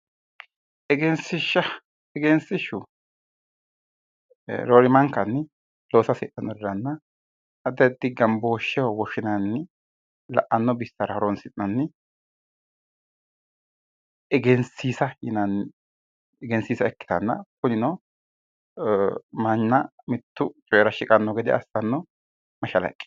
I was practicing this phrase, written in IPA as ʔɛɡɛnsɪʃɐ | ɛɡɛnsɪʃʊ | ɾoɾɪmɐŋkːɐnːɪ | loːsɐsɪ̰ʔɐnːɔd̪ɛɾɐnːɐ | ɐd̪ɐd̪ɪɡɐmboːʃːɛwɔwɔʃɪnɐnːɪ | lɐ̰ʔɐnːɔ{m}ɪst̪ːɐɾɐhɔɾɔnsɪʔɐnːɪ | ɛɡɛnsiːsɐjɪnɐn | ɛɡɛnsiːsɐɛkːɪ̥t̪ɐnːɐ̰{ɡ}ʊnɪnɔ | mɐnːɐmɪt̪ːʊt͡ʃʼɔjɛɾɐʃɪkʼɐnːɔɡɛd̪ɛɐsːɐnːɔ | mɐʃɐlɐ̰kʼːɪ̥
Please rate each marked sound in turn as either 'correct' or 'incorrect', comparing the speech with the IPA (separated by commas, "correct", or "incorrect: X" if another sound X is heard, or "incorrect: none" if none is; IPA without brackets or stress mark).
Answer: incorrect: b, incorrect: k